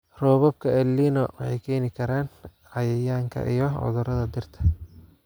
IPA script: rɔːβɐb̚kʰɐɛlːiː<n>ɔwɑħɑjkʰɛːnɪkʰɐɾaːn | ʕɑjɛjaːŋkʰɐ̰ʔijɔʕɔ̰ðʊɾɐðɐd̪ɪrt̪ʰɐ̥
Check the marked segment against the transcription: correct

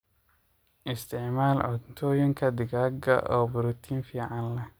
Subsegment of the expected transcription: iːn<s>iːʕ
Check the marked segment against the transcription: incorrect: f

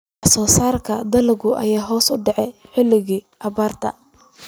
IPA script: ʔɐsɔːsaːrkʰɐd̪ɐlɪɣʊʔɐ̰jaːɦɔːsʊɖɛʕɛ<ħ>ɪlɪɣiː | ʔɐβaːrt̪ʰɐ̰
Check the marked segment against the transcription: correct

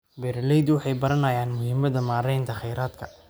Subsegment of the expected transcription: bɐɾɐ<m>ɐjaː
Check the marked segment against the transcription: incorrect: n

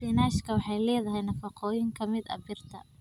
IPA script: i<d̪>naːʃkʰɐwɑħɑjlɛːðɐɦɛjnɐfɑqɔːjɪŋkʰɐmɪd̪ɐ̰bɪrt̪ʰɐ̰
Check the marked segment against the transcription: incorrect: none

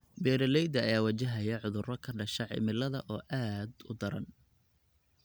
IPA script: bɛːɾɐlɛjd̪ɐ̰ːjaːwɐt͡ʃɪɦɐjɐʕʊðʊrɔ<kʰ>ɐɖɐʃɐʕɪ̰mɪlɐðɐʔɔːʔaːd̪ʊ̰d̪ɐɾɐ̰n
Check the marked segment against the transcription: correct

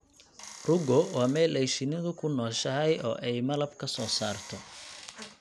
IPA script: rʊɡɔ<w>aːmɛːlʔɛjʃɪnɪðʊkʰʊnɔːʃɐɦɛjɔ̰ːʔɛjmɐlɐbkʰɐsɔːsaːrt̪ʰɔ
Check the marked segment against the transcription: correct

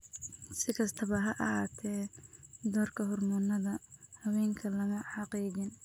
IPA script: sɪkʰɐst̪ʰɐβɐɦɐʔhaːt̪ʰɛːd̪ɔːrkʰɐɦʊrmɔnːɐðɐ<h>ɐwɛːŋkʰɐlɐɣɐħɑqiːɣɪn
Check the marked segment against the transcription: correct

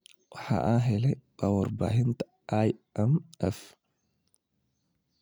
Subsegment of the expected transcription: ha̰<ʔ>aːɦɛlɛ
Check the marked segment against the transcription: correct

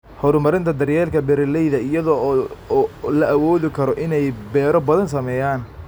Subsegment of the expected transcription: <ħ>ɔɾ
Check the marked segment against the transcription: incorrect: h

